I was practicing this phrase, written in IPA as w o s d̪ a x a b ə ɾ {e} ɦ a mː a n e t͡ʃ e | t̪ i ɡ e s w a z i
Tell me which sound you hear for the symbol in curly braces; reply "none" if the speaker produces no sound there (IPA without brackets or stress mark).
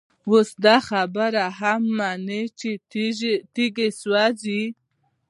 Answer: a